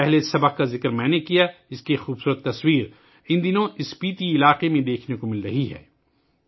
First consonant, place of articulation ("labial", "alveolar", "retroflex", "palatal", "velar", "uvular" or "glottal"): glottal